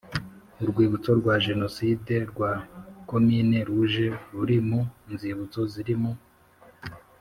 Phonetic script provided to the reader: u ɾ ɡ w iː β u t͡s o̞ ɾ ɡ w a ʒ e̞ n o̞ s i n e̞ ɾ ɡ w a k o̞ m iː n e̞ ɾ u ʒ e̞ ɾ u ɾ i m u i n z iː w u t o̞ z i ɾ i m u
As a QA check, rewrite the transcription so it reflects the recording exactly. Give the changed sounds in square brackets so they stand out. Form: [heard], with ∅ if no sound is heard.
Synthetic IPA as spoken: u ɾ ɡ w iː β u t͡s o̞ ɾ ɡ w a ʒ e̞ n o̞ s i [d] e̞ ɾ ɡ w a k o̞ m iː n e̞ ɾ u ʒ e̞ ɾ u ɾ i m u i n z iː [β] u [t͡s] o̞ z i ɾ i m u